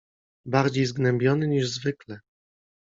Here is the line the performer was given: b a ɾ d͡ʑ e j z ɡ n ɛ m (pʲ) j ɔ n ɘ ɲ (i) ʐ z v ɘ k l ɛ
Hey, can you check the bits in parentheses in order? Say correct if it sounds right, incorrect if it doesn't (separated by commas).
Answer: incorrect, correct